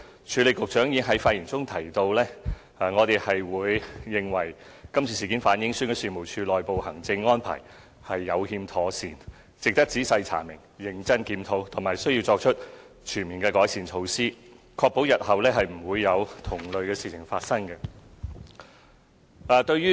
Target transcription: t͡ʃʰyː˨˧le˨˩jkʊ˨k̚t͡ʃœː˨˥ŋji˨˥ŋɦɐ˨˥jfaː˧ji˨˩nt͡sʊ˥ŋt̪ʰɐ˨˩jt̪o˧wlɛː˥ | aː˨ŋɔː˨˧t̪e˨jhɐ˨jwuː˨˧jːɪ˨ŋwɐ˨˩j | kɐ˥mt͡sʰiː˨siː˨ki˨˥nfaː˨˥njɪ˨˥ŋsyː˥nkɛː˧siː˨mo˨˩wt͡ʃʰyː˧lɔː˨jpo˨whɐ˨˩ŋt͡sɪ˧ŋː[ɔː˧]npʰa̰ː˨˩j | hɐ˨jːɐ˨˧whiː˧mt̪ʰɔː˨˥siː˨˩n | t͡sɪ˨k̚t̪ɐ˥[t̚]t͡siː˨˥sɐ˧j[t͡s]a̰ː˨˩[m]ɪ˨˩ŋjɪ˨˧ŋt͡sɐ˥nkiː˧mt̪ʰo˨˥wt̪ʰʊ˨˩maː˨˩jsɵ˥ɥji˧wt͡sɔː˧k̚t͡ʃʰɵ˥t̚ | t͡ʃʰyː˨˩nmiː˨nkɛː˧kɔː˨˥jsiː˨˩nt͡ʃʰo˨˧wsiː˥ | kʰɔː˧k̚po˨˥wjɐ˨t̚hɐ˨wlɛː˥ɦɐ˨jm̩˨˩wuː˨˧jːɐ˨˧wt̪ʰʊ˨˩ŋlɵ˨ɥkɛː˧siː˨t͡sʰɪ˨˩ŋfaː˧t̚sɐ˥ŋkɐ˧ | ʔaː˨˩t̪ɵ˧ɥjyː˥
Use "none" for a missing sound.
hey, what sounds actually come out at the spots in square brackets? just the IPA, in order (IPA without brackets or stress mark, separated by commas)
ɔː˥, k̚, t͡sʰ, m